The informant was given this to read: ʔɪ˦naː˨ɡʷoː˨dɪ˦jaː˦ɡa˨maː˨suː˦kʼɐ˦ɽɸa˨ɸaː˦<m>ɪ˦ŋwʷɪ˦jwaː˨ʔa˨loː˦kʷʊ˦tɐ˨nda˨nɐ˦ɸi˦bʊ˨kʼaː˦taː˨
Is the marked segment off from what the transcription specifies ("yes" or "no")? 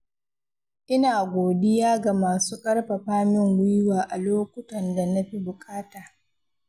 no